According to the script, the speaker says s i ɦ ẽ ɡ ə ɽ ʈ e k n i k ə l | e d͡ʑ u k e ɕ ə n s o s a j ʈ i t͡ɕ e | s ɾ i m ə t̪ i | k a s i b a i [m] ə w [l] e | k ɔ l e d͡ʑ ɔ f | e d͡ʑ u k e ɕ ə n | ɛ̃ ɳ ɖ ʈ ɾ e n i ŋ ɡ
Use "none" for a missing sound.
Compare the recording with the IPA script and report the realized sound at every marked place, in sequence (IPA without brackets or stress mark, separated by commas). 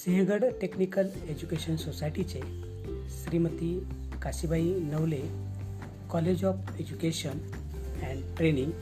n, l